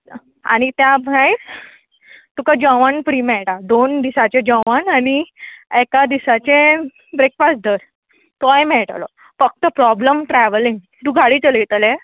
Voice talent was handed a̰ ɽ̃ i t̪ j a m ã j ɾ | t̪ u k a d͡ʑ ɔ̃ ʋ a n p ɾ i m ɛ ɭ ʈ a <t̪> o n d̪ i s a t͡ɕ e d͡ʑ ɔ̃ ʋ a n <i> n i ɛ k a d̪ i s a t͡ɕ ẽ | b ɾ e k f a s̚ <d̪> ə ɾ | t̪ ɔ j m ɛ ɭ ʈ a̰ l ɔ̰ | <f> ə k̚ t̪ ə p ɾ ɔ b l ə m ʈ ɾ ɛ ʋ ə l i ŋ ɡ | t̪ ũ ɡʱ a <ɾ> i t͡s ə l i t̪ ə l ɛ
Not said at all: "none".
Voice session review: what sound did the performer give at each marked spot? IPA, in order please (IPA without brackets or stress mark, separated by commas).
d̪, a, d̪, f, ɽ